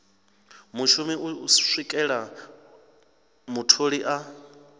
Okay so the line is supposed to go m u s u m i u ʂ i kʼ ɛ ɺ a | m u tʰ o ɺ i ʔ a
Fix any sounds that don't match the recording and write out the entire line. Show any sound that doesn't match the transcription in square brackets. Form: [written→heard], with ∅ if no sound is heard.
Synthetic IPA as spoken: m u [s→ʃ] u m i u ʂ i kʼ ɛ ɺ a | m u tʰ o ɺ i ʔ a